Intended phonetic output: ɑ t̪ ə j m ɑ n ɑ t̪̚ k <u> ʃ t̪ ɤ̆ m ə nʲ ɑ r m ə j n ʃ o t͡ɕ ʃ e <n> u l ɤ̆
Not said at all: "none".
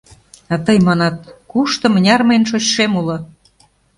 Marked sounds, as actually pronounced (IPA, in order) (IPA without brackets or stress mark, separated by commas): u, m